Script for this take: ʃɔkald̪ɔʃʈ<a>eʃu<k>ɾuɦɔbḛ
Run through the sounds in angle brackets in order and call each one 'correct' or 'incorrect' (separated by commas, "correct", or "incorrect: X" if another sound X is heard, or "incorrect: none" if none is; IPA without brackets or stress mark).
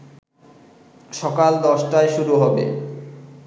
correct, incorrect: none